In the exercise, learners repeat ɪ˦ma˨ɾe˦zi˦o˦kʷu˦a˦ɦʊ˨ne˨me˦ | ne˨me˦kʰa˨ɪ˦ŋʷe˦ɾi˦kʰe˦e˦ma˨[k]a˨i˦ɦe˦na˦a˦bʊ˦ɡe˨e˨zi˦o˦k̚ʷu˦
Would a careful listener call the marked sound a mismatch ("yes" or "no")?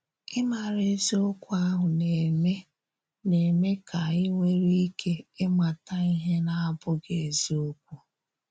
yes